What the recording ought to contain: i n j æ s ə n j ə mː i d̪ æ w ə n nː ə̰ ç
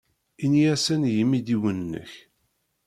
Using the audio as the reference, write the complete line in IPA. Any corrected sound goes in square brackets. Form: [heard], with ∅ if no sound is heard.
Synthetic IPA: i n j æ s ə n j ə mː i d̪ [i] w ə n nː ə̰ ç